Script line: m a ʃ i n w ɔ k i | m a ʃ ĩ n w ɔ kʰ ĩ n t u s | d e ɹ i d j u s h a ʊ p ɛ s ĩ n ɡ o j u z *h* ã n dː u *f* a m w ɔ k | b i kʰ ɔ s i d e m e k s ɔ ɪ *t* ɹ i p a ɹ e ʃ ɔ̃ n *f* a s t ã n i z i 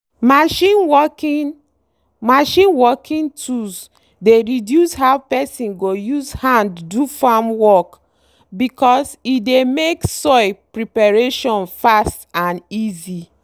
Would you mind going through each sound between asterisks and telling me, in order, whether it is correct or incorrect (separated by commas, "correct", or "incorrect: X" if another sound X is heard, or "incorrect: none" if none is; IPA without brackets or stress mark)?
correct, correct, incorrect: p, correct